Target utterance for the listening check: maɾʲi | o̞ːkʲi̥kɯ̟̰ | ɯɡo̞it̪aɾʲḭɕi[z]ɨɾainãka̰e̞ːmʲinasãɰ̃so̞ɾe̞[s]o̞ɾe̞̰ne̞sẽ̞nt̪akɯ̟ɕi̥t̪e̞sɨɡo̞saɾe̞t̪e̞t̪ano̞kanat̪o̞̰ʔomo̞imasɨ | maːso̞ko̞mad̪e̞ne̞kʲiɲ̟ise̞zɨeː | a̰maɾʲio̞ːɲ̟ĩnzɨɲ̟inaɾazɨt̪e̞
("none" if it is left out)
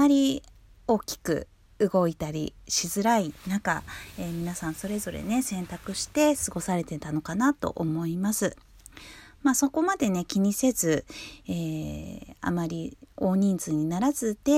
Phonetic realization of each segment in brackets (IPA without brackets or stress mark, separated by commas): z, z